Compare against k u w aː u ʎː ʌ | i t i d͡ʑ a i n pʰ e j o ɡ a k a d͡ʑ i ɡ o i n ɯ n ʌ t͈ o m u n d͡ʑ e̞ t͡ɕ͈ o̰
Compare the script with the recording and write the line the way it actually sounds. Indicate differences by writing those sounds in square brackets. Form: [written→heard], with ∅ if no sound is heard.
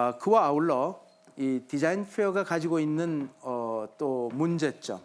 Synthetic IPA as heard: k [u→ɯ] w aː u [ʎː→ɭː] ʌ | i t i d͡ʑ a i n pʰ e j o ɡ a k a d͡ʑ i ɡ o i [n→nː] ɯ n ʌ t͈ o m u n d͡ʑ e̞ t͡ɕ͈ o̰